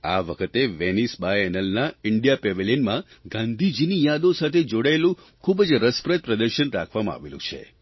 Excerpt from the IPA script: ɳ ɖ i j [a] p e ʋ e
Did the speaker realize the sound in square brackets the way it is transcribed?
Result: yes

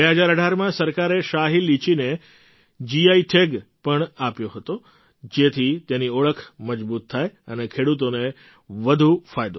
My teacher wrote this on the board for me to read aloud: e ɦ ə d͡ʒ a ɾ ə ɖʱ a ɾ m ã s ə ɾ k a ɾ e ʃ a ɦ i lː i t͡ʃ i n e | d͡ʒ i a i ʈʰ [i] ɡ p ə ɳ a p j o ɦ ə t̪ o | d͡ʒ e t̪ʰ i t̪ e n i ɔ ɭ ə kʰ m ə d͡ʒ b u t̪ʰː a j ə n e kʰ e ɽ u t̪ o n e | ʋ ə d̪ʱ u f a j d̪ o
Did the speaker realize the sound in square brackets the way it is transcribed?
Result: no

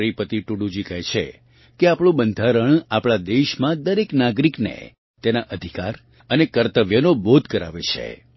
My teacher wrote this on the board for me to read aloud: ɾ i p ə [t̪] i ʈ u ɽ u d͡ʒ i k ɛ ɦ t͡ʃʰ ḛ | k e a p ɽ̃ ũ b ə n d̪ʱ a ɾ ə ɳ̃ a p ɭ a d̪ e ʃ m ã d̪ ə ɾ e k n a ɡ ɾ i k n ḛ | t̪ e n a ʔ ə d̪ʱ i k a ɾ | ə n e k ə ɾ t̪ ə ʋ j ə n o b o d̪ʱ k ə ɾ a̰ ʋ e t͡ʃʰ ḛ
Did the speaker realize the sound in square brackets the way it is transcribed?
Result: yes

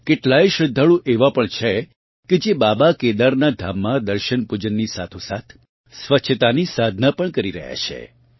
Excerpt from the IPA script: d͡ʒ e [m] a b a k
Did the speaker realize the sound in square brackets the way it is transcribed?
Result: no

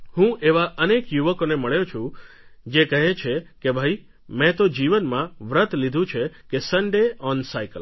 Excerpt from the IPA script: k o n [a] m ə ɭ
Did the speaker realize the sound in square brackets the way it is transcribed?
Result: no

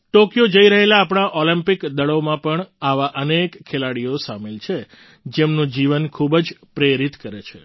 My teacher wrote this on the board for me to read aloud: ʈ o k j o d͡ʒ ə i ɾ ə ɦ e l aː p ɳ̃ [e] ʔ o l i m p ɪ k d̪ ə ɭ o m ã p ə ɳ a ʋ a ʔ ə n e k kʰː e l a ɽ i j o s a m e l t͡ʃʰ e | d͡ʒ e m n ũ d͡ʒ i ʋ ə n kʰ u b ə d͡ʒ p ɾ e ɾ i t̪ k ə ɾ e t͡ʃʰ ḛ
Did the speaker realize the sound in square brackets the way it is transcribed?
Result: no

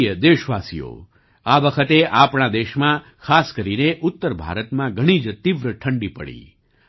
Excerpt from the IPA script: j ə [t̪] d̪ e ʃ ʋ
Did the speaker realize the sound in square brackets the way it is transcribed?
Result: no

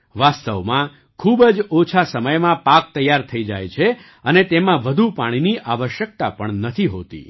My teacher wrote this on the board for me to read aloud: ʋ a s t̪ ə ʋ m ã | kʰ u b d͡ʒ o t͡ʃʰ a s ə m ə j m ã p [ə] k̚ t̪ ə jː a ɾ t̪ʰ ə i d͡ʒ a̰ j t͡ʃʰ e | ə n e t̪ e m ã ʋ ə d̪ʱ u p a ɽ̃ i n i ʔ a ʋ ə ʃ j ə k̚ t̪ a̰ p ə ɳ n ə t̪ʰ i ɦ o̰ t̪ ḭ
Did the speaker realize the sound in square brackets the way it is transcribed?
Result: no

